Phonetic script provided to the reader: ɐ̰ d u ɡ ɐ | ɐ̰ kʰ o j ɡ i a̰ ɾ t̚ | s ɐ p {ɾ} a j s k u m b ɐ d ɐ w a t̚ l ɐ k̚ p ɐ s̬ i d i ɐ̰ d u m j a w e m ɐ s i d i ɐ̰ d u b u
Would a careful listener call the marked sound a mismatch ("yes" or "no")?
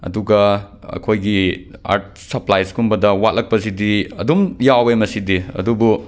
yes